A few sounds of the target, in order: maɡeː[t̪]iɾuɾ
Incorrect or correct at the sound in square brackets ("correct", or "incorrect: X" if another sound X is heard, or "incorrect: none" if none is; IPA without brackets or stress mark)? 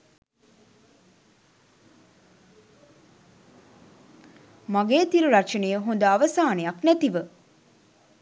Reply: correct